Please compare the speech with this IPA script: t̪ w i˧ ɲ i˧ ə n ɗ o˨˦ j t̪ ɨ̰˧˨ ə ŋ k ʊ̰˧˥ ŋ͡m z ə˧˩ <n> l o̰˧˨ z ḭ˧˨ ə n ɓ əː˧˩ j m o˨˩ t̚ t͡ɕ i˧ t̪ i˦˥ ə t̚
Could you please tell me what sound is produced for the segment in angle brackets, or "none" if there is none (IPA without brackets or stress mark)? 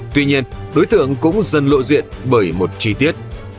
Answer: n